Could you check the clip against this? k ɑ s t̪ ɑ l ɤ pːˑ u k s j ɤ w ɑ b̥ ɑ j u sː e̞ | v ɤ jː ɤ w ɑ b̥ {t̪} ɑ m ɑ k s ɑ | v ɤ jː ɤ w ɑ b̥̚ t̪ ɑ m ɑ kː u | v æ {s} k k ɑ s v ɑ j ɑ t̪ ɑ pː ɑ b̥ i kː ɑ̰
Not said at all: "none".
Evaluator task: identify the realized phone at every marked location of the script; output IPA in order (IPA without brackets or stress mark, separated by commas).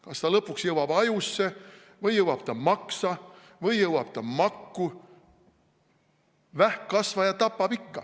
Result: t̪, h